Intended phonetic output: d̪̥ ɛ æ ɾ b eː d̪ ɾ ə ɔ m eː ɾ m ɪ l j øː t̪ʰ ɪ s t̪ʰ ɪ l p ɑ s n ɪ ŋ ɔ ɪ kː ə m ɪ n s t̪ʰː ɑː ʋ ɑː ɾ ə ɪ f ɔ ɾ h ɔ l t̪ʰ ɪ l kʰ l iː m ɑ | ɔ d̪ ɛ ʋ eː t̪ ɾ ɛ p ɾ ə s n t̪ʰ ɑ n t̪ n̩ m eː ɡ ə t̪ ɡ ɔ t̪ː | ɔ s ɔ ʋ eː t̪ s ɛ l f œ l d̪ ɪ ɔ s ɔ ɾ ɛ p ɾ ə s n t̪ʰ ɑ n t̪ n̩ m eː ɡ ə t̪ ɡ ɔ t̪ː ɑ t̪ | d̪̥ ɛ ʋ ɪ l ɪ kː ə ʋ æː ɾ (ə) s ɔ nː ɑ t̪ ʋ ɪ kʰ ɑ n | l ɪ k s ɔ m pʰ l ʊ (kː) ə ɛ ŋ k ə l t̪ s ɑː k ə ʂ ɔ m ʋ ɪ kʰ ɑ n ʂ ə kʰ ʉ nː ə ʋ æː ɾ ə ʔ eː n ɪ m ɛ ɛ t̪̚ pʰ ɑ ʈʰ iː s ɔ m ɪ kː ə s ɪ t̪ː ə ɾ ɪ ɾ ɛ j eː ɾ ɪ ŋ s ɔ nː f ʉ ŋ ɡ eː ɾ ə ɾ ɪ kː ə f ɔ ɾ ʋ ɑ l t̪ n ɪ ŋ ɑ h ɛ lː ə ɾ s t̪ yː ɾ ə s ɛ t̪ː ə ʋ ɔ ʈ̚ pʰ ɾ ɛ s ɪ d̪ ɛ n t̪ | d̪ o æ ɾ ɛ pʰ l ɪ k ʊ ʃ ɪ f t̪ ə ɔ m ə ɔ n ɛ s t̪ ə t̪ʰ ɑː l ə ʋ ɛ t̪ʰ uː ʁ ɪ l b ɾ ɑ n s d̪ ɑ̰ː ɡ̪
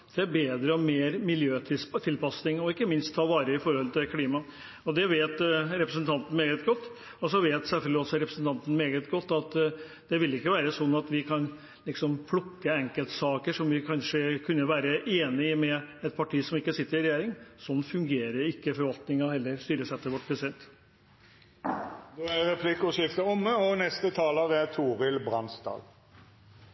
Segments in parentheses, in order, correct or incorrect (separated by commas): correct, correct